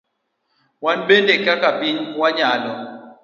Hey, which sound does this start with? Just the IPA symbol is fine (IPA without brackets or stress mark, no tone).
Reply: w